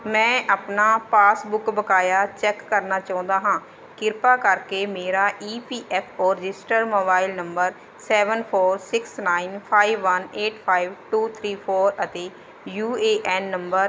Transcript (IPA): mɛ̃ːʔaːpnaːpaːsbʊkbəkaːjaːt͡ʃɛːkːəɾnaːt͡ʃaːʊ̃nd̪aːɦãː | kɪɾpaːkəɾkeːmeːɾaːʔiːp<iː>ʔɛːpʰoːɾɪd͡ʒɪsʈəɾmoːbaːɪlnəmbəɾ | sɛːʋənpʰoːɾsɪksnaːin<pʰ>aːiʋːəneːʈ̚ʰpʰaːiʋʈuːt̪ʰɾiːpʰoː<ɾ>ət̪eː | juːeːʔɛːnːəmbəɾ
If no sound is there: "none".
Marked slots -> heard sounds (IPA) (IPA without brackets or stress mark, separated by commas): iː, pʰ, ɾ